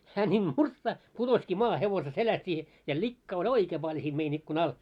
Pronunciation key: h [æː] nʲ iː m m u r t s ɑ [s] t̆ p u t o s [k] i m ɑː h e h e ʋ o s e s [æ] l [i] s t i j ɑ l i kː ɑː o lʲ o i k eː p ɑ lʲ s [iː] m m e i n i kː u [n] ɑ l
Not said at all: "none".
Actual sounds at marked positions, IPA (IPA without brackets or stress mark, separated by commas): æː, h, k, e, æ, iː, n